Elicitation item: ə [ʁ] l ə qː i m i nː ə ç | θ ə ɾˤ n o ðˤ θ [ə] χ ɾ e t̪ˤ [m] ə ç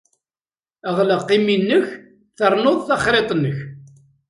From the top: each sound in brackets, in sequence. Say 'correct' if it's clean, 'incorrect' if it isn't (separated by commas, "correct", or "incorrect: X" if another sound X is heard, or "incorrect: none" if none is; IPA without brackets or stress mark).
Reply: correct, incorrect: ɑ, incorrect: n